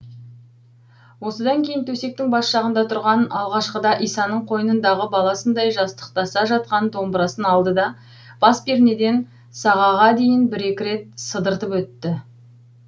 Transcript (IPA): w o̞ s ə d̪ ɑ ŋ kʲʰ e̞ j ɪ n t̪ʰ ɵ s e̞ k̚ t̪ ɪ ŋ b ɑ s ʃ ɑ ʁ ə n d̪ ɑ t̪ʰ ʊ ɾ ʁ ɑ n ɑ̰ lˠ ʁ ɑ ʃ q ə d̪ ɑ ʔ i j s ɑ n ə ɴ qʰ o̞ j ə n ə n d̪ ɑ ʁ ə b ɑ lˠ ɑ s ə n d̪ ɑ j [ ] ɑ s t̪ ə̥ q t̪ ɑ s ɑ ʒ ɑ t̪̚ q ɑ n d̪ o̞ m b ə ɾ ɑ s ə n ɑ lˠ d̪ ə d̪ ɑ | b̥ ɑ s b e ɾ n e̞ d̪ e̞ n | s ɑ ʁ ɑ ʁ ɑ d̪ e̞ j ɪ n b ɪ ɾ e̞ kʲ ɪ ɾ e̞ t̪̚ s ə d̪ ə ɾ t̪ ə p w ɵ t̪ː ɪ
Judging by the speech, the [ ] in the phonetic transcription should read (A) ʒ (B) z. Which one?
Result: A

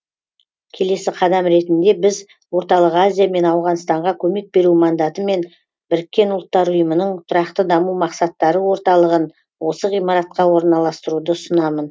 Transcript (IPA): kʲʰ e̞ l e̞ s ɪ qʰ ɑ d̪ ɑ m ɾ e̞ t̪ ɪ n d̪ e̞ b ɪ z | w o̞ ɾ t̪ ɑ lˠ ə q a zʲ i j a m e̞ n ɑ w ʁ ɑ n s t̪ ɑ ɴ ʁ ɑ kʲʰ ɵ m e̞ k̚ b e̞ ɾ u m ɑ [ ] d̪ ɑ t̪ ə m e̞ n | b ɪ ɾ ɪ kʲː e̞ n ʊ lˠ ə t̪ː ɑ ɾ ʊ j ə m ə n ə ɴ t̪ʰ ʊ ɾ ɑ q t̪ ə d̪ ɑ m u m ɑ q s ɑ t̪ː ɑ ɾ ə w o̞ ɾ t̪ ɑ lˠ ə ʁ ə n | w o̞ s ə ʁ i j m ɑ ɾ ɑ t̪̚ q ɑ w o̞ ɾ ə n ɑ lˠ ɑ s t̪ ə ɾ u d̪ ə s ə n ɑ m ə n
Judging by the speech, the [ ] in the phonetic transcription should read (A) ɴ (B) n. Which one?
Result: B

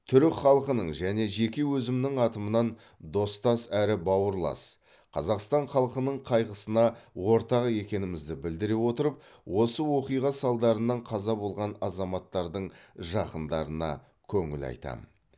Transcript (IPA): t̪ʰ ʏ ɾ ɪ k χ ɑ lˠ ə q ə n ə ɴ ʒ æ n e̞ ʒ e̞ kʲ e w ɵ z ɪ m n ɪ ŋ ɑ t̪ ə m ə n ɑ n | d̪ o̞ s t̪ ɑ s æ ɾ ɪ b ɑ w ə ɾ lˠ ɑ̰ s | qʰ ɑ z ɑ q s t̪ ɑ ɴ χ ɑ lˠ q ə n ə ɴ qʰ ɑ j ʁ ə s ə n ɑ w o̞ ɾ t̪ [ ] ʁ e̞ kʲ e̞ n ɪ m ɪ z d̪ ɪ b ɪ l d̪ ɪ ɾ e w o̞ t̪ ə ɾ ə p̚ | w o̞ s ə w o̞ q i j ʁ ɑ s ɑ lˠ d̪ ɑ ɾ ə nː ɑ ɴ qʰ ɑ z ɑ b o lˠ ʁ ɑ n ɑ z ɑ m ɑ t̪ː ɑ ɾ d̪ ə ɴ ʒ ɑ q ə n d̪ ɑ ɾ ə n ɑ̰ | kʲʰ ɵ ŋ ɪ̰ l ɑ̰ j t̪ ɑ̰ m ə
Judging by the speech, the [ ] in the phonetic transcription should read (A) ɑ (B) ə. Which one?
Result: A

